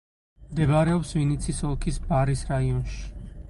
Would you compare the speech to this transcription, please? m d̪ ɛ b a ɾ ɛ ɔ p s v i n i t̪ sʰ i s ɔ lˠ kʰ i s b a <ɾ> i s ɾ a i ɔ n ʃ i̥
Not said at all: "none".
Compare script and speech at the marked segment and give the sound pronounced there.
ɾ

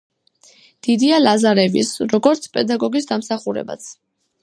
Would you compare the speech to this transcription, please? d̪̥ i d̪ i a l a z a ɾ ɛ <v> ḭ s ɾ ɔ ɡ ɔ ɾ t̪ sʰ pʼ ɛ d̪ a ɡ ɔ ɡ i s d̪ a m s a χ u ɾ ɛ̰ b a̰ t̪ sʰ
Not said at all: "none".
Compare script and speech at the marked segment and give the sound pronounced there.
v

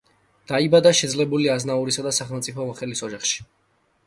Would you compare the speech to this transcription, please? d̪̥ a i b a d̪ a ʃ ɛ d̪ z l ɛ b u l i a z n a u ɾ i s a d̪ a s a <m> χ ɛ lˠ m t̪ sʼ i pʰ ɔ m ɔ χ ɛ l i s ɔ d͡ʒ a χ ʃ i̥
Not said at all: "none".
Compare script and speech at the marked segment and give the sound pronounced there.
none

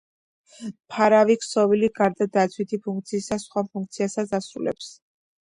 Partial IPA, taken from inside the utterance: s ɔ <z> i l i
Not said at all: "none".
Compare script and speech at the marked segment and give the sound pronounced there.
v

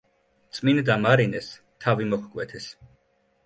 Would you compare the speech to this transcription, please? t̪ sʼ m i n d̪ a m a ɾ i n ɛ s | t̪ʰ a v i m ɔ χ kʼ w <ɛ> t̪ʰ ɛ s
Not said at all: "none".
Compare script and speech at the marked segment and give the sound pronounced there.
ɛ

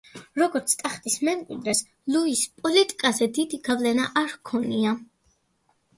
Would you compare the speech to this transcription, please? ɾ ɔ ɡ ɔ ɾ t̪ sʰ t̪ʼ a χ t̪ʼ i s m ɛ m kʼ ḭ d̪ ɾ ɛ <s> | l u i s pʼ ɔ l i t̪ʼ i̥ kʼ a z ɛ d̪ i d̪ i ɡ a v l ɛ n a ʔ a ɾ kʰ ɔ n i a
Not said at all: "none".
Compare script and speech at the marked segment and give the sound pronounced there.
s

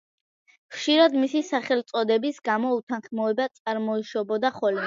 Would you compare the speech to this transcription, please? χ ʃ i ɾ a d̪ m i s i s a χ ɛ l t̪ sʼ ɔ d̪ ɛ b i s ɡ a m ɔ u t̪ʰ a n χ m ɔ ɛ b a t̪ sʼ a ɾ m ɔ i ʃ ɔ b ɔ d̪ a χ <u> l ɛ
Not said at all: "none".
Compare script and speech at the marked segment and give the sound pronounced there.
ɔ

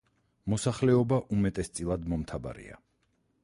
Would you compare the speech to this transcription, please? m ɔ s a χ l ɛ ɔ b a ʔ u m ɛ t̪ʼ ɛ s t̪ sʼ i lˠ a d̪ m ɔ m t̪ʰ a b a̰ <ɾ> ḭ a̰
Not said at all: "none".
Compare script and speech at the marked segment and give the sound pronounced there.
ɾ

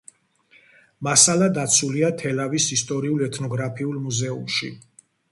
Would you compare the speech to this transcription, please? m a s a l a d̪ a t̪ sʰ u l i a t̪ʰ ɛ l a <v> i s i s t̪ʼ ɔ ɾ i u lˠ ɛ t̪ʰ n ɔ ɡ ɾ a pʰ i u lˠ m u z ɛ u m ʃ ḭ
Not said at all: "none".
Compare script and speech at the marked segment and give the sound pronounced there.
v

